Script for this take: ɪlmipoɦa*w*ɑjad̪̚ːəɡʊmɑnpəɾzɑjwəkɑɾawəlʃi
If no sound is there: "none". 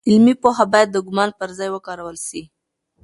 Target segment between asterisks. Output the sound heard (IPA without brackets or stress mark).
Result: b